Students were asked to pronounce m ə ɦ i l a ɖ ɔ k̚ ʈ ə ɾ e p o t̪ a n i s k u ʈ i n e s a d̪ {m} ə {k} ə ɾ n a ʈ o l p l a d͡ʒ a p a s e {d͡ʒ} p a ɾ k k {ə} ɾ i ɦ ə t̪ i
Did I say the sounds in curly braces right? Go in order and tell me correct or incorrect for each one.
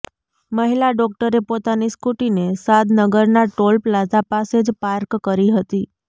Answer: incorrect: n, incorrect: ɡ, correct, correct

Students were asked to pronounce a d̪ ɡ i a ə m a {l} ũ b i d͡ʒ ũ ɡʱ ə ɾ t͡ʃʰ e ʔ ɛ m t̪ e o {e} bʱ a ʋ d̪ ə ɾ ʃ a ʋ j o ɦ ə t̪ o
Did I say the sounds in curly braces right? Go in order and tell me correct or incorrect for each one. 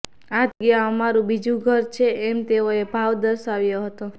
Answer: incorrect: ɾ, correct

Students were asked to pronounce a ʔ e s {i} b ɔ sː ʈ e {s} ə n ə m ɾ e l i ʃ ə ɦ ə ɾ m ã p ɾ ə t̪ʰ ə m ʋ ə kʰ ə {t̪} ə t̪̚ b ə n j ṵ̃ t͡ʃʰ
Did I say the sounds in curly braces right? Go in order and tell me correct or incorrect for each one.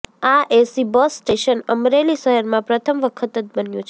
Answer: correct, incorrect: ʃ, correct

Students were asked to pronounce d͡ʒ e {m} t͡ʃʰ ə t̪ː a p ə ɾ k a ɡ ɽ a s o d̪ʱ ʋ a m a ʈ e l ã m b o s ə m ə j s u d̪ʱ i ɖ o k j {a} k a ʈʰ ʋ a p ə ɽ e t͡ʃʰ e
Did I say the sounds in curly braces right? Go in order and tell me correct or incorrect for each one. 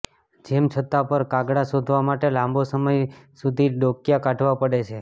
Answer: correct, correct

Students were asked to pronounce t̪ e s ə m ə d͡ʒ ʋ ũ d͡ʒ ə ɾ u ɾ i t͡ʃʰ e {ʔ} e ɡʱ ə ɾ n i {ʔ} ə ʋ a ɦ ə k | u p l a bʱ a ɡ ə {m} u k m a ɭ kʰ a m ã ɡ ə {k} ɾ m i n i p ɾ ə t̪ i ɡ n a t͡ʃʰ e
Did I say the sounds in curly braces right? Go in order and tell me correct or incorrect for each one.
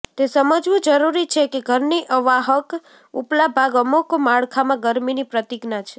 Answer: incorrect: k, correct, correct, incorrect: none

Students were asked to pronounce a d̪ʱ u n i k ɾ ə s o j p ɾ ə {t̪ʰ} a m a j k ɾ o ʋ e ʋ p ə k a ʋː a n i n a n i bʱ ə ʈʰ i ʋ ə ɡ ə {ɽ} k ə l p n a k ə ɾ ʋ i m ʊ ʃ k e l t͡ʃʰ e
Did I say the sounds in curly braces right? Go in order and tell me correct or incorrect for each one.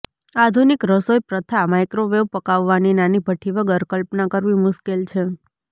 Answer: correct, incorrect: ɾ

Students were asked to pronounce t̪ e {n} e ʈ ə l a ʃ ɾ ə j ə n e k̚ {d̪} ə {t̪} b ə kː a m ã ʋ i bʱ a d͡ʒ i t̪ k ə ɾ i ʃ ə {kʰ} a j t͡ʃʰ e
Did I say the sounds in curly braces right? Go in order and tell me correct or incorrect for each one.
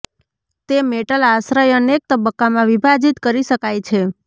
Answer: incorrect: m, incorrect: t̪, incorrect: none, incorrect: k

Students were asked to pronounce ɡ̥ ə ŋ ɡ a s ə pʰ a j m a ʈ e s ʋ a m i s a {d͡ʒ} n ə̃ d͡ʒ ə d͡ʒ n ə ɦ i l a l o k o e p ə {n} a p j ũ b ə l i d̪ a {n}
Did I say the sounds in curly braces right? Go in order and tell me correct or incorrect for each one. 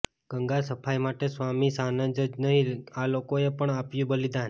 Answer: incorrect: none, incorrect: ɳ, correct

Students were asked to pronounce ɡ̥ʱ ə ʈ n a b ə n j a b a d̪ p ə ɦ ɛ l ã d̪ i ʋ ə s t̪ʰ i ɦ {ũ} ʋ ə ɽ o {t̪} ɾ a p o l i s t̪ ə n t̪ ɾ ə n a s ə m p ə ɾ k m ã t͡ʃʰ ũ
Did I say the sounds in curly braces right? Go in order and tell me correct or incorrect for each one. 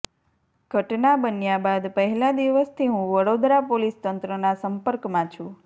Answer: correct, incorrect: d̪

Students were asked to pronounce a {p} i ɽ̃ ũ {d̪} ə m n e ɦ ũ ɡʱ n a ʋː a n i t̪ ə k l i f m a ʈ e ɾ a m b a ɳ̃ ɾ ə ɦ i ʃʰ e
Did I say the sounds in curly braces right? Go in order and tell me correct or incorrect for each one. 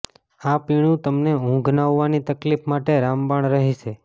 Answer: correct, incorrect: t̪

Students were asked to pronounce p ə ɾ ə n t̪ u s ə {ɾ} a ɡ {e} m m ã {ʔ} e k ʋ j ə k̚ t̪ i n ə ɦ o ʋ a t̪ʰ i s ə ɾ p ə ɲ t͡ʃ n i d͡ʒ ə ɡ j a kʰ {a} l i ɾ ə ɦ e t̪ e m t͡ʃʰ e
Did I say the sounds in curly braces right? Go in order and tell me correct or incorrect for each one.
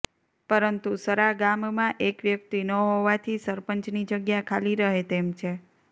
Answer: correct, incorrect: a, correct, correct

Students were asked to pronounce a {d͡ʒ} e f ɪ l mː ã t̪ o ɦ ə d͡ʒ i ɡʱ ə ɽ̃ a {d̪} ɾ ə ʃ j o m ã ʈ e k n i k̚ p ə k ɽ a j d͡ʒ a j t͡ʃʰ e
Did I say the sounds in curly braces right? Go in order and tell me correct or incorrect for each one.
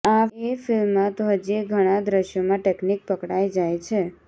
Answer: incorrect: none, correct

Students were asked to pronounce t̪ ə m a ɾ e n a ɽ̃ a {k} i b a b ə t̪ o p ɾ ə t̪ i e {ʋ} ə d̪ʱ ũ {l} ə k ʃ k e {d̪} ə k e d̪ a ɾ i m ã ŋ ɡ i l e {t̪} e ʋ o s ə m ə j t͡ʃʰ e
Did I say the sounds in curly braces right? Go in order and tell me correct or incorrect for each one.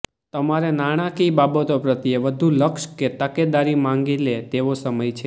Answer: correct, correct, correct, incorrect: t̪, correct

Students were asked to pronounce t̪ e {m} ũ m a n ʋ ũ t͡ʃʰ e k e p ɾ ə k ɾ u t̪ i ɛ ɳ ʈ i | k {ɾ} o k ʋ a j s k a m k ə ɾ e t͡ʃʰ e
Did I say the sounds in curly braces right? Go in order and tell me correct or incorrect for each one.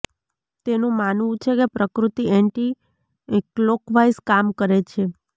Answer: incorrect: n, incorrect: l

